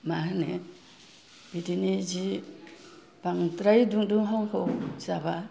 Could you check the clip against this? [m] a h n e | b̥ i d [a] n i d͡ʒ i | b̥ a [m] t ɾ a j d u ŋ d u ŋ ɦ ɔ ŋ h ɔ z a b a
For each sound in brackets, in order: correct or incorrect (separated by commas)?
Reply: correct, incorrect, incorrect